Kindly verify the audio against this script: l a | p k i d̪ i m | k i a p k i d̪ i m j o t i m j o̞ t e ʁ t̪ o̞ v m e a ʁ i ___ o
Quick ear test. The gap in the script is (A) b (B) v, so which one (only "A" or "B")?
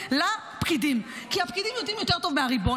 A